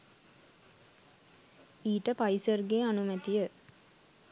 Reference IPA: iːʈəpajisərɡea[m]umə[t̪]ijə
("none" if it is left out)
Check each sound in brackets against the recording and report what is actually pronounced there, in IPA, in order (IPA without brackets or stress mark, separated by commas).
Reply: n, t̪